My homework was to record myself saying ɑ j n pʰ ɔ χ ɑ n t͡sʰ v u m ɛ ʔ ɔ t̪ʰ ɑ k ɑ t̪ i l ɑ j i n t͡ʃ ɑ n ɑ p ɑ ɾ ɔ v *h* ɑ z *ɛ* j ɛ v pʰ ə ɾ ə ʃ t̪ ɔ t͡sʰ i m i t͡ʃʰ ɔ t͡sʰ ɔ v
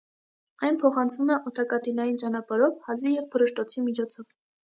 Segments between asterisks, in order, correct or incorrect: correct, incorrect

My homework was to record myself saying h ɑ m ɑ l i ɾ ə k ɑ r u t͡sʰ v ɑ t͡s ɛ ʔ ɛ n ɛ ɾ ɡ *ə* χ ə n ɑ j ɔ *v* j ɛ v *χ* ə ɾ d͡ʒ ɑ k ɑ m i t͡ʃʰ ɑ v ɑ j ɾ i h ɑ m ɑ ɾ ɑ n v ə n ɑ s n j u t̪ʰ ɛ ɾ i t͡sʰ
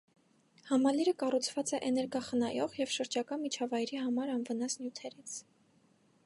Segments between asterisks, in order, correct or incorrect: incorrect, incorrect, incorrect

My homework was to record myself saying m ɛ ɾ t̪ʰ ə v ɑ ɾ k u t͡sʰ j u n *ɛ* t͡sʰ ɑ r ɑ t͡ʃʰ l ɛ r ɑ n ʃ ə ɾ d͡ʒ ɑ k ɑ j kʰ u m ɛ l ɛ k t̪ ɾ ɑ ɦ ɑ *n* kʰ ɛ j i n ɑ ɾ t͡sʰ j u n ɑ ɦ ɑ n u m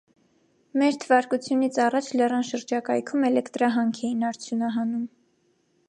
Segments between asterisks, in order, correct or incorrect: incorrect, incorrect

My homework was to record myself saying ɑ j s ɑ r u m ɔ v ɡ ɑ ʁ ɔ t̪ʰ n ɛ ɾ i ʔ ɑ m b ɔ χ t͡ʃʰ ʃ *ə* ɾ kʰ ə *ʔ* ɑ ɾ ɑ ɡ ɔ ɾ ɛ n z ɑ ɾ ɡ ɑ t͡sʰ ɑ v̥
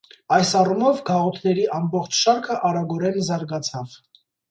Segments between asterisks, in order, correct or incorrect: incorrect, correct

